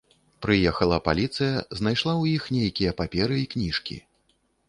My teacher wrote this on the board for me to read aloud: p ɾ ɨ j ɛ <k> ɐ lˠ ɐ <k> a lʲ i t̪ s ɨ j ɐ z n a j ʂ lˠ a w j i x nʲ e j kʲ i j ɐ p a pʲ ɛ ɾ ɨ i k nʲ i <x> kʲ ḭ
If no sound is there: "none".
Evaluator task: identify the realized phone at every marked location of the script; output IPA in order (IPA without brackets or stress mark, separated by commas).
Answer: x, p, ʂ